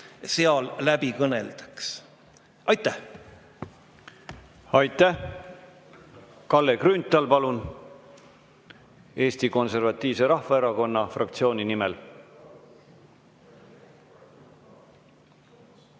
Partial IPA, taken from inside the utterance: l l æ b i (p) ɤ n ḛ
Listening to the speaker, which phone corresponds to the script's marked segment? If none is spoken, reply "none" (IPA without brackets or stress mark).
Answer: k